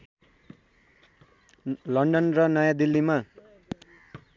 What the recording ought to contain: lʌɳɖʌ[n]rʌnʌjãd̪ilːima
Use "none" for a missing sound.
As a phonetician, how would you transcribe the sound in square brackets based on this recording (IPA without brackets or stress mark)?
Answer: n